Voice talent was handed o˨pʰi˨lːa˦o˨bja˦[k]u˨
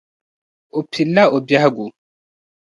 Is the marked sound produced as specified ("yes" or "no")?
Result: no